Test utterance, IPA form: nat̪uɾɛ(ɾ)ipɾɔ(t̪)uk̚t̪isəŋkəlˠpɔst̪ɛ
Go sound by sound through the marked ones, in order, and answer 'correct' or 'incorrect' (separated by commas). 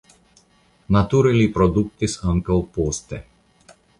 incorrect, incorrect